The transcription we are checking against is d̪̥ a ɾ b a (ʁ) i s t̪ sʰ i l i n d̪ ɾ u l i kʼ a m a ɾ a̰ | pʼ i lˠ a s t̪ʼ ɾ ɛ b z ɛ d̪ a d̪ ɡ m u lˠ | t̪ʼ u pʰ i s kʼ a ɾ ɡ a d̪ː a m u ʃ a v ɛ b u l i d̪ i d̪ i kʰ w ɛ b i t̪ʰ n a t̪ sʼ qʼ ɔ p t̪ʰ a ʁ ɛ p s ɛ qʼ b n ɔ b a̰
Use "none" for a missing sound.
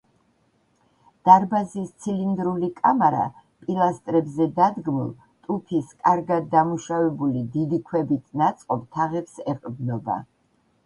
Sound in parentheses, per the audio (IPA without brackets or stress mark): z